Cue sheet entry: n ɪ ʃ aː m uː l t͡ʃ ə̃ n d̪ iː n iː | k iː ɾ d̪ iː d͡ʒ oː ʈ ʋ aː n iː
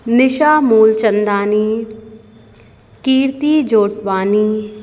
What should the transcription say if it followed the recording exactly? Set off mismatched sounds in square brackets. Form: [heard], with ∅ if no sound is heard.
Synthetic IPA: n ɪ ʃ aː m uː l t͡ʃ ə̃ n d̪ [aː] n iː | k iː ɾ [t̪] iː d͡ʒ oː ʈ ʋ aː n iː